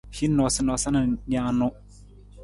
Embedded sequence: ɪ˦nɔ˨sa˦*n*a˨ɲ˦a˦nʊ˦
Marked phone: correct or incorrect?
correct